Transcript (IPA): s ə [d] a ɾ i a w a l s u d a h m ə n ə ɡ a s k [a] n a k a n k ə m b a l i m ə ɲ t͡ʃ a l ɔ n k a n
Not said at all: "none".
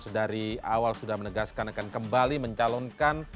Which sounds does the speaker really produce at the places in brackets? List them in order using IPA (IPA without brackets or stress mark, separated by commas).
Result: d, a